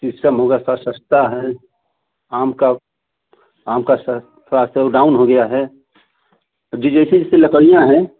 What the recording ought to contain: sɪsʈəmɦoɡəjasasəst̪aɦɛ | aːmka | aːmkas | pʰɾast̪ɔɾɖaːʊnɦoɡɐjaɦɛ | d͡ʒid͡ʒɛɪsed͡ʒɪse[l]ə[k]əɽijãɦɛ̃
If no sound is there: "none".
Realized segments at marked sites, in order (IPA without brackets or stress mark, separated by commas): l, k